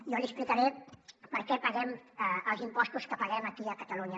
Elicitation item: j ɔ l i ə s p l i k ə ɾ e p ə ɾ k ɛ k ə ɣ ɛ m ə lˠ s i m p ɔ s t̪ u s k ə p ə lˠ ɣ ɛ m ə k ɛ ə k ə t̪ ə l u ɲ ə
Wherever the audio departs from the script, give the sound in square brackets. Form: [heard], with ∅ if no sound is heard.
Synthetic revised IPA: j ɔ l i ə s p l i k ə ɾ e p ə ɾ k ɛ [p] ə ɣ ɛ m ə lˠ [z] i m p ɔ s t̪ u s k ə p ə [∅] ɣ ɛ m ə k [i] ə k ə t̪ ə l u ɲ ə